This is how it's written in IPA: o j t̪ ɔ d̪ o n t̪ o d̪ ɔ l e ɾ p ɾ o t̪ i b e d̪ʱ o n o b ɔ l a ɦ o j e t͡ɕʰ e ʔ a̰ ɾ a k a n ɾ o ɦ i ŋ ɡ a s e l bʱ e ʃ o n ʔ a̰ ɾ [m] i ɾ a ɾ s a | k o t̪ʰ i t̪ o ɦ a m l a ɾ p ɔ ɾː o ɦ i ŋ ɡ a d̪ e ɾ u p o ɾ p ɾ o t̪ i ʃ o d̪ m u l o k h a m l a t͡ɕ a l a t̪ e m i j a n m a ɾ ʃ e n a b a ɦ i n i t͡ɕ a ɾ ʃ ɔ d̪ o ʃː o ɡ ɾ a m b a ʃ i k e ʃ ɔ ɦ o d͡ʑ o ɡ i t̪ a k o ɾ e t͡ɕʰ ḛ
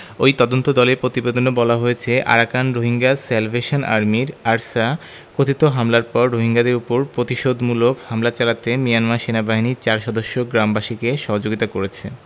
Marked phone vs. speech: correct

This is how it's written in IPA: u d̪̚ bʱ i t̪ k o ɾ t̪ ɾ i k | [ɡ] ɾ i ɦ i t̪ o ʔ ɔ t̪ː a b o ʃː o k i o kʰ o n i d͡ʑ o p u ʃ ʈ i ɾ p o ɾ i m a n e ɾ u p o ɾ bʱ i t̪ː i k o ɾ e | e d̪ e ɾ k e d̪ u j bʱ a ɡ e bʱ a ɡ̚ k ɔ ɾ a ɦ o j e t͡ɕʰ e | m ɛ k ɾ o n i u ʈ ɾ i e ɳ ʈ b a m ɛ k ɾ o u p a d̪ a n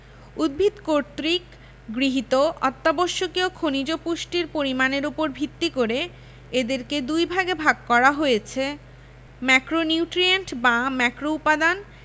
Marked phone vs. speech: correct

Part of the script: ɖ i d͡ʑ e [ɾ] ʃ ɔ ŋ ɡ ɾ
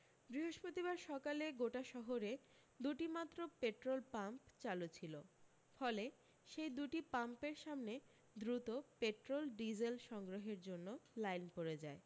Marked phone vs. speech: incorrect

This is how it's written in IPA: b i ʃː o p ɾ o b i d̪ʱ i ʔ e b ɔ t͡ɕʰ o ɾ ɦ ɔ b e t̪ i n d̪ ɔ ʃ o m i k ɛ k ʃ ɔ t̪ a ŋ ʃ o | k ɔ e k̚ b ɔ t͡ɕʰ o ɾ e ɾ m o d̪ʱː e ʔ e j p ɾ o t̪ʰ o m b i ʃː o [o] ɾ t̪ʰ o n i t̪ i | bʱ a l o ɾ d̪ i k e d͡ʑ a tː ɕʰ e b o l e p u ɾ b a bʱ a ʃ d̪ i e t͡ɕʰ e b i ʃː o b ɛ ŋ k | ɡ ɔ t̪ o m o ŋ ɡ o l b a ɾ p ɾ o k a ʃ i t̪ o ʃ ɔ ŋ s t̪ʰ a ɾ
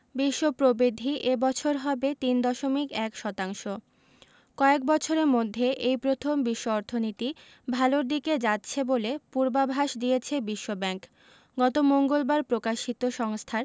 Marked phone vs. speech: incorrect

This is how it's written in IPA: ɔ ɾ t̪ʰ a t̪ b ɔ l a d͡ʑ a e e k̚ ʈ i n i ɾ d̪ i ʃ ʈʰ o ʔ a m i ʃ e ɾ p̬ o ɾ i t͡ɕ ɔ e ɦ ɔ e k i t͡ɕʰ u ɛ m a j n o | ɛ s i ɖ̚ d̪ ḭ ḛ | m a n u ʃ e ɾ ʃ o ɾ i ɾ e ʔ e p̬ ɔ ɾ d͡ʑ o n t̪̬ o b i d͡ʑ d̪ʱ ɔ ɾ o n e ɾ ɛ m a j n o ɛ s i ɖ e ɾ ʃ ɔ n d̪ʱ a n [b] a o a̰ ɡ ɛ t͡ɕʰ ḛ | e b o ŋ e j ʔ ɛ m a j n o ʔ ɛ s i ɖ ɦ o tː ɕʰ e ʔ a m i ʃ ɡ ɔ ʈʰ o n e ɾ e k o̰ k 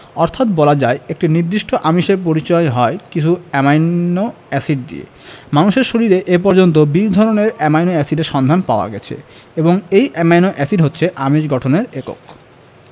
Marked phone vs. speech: incorrect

